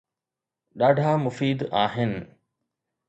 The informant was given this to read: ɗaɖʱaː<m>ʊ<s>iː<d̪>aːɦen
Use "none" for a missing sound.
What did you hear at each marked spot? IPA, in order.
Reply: m, f, d̪

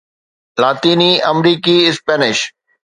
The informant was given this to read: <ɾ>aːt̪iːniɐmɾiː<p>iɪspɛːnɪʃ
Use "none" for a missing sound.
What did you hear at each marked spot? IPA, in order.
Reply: l, k

